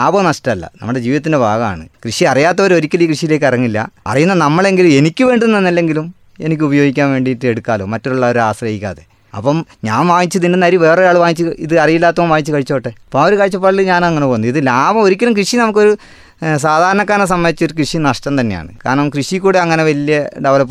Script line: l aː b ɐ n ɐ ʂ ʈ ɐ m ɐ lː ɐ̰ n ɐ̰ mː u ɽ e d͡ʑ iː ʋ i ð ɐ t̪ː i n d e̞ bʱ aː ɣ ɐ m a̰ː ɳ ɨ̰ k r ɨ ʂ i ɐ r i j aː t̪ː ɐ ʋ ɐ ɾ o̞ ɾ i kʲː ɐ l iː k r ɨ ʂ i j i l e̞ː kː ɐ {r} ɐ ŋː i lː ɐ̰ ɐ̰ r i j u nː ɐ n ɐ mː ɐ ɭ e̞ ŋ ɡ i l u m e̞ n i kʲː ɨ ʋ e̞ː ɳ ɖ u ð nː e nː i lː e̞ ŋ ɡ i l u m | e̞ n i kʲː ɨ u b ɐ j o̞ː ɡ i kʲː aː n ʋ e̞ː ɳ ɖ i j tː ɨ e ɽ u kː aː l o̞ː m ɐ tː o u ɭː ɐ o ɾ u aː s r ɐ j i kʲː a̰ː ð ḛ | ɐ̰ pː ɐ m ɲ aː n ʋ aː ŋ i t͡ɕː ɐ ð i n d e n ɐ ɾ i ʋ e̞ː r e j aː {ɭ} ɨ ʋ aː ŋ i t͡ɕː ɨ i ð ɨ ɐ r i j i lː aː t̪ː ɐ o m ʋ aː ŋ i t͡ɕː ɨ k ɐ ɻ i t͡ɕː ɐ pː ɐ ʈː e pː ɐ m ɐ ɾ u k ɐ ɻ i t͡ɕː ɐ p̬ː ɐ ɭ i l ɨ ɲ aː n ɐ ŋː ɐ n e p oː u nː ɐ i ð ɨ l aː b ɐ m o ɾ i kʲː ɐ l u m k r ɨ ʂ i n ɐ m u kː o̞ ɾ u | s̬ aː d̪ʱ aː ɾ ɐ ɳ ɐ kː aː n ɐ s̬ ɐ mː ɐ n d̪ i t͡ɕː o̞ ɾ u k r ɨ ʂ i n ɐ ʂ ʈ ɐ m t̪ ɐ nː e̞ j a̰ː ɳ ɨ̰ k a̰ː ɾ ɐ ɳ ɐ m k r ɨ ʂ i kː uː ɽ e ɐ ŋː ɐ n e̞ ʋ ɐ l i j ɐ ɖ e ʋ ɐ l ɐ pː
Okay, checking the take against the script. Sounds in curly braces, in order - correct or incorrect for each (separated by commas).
correct, correct